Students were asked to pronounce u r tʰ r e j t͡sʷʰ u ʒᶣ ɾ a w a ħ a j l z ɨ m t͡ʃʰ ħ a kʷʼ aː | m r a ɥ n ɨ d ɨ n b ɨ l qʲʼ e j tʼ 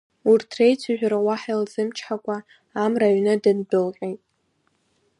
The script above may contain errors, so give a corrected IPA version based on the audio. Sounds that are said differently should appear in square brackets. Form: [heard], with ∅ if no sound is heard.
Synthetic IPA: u r tʰ r e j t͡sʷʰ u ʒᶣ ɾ a w a ħ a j l z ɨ m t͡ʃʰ ħ a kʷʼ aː | m r a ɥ n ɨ d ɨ n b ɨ l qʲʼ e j tʼ